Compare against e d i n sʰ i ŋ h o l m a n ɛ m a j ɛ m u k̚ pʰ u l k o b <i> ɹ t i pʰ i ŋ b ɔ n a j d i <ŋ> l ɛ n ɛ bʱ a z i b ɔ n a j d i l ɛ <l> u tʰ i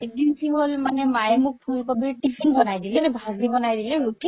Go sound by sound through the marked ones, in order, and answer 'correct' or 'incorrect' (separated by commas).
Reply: correct, incorrect, incorrect